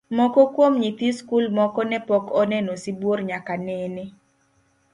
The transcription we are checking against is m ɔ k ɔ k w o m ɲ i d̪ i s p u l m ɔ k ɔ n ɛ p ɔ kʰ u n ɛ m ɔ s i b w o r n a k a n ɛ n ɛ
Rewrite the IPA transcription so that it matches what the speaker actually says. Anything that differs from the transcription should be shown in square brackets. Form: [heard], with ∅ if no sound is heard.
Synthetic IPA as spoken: m ɔ k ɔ k w o m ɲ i [t̪] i s [k] u l m ɔ k ɔ n ɛ p ɔ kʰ [ɔ] n ɛ [n] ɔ s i b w o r [ɲ] a k a n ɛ n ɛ

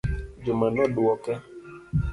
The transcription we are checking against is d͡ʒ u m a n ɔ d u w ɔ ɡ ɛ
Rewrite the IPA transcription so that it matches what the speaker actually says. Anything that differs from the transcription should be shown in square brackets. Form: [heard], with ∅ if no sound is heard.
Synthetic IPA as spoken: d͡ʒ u m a n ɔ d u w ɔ [k] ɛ

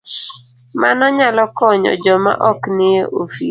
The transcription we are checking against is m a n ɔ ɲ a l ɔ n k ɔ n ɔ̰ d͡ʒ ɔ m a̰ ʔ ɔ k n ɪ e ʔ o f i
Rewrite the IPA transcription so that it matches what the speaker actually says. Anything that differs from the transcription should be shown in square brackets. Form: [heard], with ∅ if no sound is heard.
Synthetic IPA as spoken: m a n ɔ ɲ a l ɔ [∅] k ɔ [ɲ] ɔ̰ d͡ʒ ɔ m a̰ ʔ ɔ k n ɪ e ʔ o f i

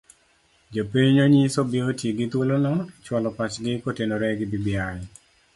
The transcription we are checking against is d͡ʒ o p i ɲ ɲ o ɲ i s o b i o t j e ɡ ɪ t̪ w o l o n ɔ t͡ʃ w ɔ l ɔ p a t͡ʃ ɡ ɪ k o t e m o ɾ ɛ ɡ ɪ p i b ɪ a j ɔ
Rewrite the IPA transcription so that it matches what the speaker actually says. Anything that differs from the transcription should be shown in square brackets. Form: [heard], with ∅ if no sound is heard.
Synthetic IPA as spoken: d͡ʒ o p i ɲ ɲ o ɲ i s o b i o t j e ɡ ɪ t̪ w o l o n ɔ t͡ʃ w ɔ l ɔ p a t͡ʃ ɡ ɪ k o t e [n] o ɾ ɛ ɡ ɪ [b] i b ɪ a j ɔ

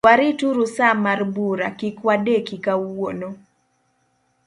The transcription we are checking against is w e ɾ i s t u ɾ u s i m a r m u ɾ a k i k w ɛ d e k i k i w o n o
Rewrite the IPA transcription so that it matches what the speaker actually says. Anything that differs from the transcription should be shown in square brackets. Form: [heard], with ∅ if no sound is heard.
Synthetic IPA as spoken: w [a] ɾ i [∅] t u ɾ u s [a] m a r [b] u ɾ a k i k w [a] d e k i k [a] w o n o

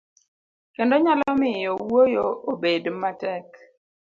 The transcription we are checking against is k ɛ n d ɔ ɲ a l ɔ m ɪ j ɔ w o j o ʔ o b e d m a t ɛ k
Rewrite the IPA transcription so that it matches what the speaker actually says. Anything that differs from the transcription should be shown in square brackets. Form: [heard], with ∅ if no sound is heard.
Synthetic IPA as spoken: k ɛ n d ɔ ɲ a l ɔ m ɪ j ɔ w o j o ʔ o b e d m a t ɛ k

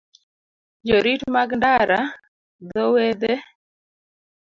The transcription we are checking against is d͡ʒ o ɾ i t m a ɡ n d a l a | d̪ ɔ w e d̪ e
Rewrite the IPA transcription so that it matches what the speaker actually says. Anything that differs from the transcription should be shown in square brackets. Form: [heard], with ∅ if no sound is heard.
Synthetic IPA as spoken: d͡ʒ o ɾ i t m a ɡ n d a [ɾ] a | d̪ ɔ w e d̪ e

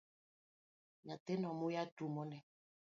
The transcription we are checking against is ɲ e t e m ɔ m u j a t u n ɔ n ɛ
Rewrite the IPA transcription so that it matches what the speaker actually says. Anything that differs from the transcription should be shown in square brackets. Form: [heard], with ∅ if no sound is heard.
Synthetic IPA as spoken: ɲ [a] t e [n] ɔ m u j a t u [m] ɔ n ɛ

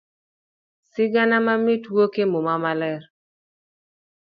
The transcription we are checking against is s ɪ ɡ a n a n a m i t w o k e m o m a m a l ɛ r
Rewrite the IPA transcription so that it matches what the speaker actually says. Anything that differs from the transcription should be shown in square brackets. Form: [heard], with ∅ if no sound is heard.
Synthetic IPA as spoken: s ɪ ɡ a n a [m] a m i t w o k e m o m a m a l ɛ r

